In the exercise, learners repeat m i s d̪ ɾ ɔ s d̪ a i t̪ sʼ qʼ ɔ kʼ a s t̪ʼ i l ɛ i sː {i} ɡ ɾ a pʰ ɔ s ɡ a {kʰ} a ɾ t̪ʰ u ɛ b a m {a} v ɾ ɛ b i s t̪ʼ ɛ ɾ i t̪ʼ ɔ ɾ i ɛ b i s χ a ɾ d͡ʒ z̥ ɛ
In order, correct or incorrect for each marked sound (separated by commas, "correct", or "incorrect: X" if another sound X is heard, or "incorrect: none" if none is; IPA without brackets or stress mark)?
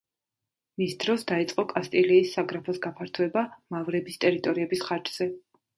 incorrect: a, incorrect: pʰ, correct